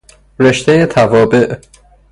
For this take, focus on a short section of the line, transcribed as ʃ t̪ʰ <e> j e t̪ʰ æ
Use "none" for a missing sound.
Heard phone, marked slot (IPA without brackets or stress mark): e